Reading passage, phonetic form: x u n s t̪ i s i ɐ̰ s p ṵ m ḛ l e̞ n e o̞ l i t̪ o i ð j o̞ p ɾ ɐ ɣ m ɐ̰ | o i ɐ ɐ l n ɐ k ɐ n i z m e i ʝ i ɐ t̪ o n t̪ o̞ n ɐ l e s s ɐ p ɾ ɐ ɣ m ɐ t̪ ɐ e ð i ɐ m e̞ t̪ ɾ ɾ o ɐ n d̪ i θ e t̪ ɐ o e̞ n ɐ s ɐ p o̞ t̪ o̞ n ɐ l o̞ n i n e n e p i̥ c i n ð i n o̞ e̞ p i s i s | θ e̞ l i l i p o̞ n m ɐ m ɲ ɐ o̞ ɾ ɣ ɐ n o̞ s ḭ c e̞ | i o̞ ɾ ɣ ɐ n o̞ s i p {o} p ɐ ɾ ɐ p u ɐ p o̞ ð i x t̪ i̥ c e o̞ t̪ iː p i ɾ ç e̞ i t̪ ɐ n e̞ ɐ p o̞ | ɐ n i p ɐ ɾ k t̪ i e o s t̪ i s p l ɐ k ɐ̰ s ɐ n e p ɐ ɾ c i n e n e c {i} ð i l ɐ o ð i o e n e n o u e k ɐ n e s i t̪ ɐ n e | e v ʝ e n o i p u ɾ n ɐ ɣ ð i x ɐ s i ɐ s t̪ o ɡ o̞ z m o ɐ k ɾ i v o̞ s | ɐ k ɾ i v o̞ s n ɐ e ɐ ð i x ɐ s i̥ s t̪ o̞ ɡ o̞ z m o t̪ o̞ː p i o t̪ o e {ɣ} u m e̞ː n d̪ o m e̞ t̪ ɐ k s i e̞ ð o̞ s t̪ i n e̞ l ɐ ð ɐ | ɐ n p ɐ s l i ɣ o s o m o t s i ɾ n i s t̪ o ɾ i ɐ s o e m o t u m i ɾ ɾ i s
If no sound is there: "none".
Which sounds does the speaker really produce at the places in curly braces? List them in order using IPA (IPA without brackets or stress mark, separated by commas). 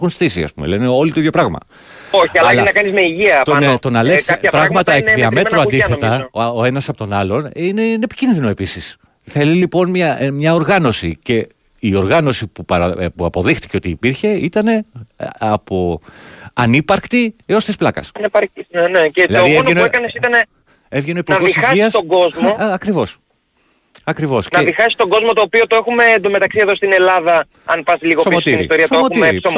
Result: u, e, x